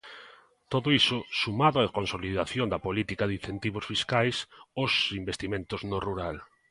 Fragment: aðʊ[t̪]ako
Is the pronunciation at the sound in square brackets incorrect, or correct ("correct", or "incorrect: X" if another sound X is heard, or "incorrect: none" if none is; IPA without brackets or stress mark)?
incorrect: none